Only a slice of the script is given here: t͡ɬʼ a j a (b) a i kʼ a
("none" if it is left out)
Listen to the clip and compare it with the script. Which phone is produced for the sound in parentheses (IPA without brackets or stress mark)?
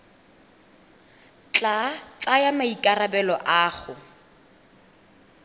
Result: m